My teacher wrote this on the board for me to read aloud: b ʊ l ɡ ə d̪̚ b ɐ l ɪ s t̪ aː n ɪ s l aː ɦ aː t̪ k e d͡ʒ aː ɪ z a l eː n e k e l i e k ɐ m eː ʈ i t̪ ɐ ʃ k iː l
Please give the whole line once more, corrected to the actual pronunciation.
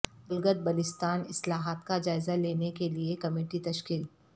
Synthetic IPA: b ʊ l ɡ ə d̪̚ b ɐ l ɪ s t̪ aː n ɪ s l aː ɦ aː t̪ k a d͡ʒ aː ɪ z a l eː n e k e l i e k ɐ m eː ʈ i t̪ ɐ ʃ k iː l